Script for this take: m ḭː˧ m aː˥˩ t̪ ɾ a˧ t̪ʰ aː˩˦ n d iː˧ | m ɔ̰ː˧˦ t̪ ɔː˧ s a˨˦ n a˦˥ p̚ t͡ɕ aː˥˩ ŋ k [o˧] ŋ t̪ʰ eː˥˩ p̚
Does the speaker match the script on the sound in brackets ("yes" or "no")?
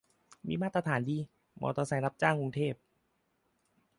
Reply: no